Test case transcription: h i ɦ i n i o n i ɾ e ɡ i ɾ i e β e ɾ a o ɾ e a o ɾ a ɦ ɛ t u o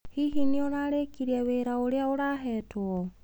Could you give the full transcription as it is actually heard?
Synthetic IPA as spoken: h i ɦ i n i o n a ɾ e k i ɾ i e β e ɾ a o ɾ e a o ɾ a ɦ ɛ t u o